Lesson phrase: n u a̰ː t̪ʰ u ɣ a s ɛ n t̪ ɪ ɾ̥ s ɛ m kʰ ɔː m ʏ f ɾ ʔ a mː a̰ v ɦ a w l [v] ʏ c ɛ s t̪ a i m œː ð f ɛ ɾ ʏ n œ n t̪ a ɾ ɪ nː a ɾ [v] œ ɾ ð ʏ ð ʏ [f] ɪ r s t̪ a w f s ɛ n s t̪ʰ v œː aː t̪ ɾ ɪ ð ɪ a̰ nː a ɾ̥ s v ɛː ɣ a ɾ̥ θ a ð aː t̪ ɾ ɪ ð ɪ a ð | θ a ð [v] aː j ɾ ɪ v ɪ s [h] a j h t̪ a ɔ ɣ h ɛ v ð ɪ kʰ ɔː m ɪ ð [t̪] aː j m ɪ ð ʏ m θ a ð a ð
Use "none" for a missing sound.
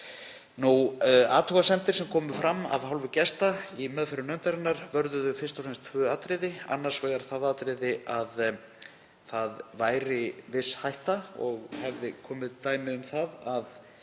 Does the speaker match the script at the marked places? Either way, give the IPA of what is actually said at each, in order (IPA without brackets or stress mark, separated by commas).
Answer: v, v, f, v, h, t̪